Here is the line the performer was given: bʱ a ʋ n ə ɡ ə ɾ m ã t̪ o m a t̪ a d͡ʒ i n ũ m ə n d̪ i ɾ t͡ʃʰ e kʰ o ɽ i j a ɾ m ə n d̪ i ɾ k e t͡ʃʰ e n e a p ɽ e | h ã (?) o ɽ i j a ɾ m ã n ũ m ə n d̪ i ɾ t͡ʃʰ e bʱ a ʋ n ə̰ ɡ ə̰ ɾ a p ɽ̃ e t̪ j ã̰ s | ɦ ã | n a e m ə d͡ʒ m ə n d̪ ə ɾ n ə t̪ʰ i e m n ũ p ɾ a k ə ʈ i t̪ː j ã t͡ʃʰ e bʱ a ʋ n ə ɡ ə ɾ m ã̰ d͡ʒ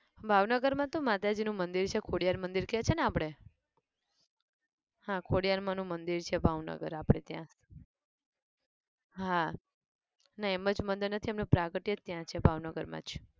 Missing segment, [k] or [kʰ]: kʰ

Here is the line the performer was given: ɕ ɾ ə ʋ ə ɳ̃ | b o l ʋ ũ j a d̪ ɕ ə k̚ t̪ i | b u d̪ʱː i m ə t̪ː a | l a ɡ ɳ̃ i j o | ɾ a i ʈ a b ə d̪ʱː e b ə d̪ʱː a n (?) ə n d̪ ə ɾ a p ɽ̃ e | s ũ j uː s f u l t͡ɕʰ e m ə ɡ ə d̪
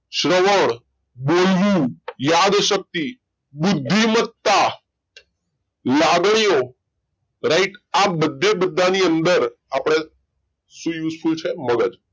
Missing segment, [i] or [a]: i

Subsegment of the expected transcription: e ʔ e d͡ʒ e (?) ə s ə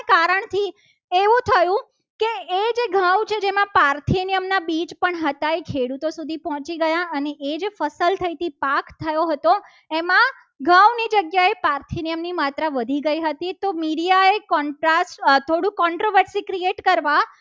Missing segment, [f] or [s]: f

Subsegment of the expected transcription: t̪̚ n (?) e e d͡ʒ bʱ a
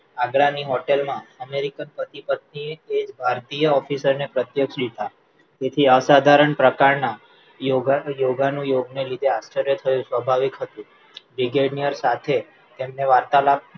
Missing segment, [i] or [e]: i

